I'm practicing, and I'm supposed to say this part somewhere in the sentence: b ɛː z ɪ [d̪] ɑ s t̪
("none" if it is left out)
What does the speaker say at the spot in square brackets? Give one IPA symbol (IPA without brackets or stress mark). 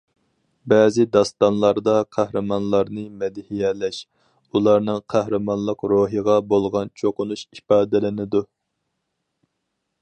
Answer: d̪